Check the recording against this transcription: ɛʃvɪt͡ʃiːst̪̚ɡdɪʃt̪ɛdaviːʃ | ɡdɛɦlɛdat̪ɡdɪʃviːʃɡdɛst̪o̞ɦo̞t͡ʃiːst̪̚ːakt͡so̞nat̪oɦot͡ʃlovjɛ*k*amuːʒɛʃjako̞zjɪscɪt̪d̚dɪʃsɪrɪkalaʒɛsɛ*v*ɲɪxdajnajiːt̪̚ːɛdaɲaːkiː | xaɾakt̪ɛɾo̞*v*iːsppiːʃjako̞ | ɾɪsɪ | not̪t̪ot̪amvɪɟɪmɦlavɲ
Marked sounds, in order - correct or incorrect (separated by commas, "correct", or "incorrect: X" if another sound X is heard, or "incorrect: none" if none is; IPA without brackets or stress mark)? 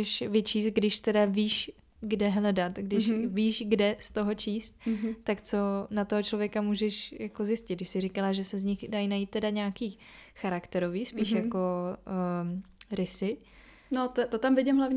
correct, incorrect: z, correct